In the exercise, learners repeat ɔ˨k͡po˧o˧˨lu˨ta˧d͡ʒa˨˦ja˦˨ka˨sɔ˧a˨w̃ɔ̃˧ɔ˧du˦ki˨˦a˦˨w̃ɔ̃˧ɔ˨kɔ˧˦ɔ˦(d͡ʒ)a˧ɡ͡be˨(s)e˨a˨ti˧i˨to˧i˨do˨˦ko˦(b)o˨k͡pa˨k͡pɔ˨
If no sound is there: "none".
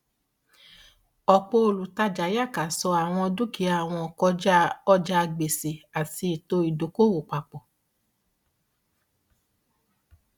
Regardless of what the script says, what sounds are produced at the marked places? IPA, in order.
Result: d͡ʒ, s, w

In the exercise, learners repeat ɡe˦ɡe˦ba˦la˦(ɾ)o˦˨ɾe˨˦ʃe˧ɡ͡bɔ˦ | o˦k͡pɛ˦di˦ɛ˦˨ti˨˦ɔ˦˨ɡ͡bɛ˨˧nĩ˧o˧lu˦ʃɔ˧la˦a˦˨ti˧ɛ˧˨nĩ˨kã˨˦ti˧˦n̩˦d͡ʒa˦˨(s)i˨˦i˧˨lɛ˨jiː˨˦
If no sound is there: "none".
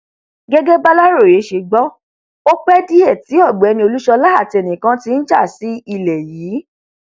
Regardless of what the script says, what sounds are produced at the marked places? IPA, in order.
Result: ɾ, s

